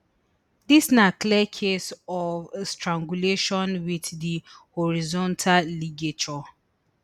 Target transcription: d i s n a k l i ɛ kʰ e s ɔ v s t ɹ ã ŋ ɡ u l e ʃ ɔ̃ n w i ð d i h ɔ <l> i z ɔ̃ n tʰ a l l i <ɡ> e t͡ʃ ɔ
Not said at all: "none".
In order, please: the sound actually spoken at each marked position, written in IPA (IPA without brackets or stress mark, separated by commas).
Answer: ɹ, ɡ